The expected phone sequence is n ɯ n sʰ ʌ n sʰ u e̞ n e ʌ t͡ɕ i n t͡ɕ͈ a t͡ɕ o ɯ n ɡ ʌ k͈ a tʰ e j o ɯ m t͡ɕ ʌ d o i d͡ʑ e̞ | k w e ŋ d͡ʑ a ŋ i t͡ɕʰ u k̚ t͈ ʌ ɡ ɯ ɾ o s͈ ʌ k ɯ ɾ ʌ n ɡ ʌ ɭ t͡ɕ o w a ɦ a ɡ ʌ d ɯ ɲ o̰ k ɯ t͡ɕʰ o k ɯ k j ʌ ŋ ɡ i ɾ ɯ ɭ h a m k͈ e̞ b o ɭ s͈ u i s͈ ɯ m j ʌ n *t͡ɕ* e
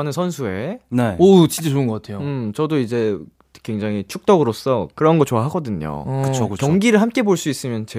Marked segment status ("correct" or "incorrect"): correct